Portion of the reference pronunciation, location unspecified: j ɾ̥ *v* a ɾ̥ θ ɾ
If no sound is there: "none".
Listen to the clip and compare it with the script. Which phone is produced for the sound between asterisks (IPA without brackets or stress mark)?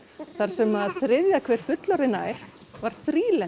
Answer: v